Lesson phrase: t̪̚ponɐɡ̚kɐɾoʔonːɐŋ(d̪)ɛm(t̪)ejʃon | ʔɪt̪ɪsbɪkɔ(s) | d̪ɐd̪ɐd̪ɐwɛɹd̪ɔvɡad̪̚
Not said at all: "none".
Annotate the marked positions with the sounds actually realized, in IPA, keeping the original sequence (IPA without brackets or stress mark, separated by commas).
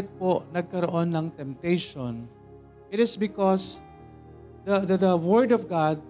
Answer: t̪, t̪, s